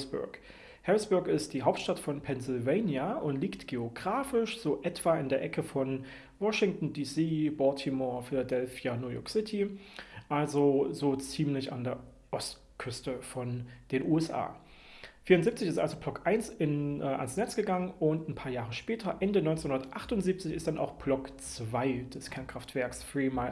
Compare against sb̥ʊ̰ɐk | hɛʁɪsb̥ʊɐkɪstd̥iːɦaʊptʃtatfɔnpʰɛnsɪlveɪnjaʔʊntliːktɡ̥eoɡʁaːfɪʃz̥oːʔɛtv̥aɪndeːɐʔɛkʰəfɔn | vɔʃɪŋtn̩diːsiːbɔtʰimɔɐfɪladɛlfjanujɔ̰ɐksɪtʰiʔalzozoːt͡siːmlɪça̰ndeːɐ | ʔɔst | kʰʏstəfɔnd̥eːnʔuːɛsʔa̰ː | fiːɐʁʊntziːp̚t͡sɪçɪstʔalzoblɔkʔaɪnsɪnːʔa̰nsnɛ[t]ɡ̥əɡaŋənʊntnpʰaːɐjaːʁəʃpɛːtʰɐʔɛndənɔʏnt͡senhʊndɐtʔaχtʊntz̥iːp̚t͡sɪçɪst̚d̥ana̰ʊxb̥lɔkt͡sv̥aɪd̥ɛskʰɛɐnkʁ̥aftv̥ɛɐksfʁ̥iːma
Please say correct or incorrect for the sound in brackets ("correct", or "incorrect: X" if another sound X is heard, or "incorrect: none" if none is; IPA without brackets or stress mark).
incorrect: t͡s